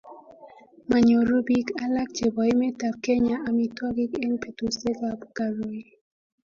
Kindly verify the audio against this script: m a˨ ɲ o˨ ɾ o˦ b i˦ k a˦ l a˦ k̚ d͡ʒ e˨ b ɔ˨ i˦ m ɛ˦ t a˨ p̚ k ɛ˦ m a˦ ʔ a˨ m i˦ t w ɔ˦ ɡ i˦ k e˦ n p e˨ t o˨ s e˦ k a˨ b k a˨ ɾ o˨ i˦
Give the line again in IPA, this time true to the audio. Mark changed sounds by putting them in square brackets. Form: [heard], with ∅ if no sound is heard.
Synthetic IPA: m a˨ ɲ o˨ ɾ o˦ b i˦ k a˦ l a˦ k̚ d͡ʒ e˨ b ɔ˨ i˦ m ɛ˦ t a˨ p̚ k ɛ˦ [ɲ] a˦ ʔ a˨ m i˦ t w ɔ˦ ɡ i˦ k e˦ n p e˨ t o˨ s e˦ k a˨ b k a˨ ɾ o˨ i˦